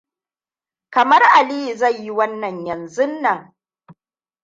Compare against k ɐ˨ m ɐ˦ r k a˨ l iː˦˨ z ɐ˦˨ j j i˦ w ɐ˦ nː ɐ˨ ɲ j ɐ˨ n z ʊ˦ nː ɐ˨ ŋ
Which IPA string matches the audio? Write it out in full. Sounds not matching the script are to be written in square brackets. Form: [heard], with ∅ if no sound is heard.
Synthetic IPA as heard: k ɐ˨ m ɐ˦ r [ʔ] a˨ l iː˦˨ z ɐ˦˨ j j i˦ w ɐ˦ nː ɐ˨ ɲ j ɐ˨ n z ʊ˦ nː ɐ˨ ŋ